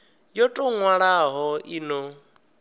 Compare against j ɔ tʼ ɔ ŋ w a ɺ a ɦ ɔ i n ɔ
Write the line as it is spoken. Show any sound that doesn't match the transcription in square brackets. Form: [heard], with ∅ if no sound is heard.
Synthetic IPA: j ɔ tʼ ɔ ŋ w a ɺ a ɦ ɔ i n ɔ